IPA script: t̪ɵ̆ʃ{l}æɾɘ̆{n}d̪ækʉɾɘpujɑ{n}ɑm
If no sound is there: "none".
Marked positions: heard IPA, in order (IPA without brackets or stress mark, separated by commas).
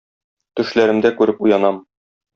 l, m, n